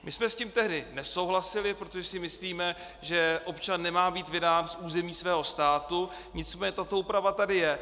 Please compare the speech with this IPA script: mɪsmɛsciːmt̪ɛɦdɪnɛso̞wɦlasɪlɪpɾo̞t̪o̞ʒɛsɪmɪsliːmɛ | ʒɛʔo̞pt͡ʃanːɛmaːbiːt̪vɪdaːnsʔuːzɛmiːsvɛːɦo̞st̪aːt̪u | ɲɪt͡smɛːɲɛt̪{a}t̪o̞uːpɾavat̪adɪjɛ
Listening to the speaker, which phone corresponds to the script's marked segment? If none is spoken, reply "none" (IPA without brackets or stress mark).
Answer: a